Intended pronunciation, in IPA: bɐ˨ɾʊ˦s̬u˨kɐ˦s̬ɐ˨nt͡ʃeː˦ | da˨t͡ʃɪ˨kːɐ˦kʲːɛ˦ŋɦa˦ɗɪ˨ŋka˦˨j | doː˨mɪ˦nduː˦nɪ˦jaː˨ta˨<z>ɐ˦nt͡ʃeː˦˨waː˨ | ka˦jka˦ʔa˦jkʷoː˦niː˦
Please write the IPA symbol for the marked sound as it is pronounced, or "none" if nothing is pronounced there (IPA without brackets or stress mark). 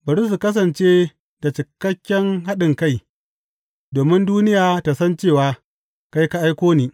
s